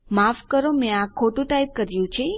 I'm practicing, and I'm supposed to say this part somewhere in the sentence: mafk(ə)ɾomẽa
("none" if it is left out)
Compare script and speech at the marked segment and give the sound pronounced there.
ə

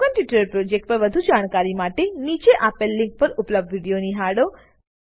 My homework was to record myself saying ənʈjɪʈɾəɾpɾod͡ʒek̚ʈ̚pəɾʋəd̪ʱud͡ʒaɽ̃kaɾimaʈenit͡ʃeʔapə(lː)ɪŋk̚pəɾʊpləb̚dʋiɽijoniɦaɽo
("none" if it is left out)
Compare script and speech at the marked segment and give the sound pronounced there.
lː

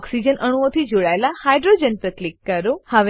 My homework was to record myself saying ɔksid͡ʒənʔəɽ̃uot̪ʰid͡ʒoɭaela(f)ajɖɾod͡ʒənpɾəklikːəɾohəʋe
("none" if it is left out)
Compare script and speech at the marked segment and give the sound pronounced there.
h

